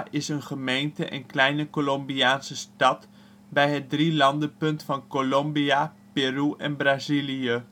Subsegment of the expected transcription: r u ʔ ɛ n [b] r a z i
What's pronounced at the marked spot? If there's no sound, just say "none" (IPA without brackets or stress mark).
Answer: b